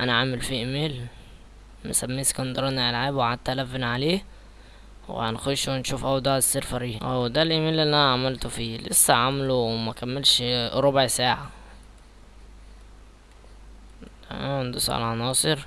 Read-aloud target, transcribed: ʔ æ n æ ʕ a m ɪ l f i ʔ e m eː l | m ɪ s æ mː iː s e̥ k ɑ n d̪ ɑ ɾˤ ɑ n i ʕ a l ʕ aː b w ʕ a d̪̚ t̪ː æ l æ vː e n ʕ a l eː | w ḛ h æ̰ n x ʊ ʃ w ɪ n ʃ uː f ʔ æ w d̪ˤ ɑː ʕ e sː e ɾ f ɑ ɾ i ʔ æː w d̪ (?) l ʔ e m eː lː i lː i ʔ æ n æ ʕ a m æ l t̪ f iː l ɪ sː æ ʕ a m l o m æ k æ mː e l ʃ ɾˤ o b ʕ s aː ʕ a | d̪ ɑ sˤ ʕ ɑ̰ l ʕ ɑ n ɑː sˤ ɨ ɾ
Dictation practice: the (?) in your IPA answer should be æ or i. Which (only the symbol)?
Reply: æ